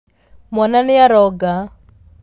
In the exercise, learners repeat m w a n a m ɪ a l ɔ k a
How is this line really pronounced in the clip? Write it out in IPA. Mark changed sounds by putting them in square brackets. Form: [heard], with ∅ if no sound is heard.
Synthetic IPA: m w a n a [n] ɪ a [ɾ] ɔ [ɡ] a